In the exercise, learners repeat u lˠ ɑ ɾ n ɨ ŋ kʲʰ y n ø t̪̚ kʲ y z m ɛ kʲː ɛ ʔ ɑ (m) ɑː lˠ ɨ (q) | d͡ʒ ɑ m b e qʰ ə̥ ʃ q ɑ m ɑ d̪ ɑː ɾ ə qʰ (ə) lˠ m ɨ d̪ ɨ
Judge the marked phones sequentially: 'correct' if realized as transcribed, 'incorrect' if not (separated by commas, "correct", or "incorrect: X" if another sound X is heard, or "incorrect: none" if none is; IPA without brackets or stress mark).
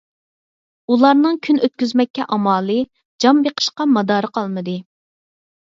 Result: correct, incorrect: none, incorrect: ɑ